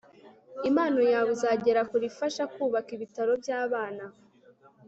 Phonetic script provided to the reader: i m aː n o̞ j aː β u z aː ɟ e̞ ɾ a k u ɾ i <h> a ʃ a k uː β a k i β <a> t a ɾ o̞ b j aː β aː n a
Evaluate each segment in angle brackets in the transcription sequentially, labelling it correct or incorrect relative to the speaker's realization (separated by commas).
incorrect, incorrect